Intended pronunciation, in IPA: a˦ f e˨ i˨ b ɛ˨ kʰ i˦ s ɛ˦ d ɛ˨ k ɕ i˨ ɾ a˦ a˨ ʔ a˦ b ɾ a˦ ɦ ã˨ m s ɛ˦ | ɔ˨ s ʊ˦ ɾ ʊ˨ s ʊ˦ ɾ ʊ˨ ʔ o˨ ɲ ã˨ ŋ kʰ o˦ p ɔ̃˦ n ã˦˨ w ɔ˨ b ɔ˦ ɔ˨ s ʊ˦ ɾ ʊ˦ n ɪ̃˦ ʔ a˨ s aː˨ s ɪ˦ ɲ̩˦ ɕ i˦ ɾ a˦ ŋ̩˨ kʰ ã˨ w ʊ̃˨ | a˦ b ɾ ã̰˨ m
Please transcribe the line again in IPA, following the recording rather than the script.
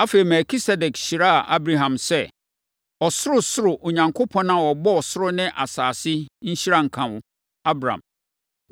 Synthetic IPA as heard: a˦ f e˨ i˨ m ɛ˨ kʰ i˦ s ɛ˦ d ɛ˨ k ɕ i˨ ɾ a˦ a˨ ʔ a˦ b ɾ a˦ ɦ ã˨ m s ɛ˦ | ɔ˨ s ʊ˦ ɾ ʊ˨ s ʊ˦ ɾ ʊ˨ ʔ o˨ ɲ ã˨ ŋ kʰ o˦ pʰ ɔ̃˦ n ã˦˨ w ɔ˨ b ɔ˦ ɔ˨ s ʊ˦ ɾ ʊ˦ n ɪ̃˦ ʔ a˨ s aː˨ s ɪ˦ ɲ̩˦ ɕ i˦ ɾ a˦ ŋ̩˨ kʰ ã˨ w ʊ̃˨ | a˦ b ɾ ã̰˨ m

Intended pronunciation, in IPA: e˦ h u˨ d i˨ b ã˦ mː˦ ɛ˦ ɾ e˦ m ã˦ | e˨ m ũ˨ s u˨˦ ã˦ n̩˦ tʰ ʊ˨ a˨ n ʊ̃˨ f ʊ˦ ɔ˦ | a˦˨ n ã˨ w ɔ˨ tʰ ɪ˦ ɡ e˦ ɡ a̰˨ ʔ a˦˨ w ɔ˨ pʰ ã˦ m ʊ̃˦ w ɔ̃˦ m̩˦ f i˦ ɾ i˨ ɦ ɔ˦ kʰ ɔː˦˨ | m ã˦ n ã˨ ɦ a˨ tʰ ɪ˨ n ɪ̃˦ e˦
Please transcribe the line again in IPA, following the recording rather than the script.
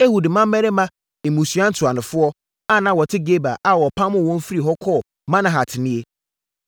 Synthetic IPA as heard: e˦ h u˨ d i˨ m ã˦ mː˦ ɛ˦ ɾ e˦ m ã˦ | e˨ m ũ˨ s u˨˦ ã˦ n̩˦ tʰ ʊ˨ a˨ n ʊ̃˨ f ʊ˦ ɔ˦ | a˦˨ n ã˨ w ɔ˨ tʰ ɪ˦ ɡ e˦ b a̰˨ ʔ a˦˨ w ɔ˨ pʰ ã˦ m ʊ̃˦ w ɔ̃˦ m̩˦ f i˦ ɾ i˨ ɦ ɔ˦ kʰ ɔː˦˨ | m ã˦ n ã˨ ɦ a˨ tʰ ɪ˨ n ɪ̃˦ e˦

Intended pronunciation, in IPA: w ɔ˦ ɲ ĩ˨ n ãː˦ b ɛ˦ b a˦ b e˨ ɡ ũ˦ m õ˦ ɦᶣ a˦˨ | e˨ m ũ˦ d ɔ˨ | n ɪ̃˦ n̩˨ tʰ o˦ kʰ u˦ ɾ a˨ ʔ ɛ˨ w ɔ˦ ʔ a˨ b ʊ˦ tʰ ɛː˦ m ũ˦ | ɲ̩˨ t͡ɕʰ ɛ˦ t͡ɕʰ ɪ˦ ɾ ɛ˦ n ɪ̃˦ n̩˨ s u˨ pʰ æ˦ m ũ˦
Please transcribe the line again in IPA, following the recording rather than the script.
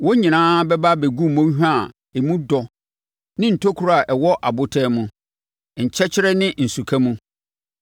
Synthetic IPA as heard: w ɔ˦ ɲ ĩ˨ n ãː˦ b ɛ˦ b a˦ b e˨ ɡ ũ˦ m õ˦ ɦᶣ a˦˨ | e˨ m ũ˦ d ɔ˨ | n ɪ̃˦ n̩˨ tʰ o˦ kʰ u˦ ɾ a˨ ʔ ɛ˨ w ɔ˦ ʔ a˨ b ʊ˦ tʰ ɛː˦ m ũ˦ | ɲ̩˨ t͡ɕʰ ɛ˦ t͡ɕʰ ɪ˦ ɾ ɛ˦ n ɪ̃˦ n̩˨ s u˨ kʰ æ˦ m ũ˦

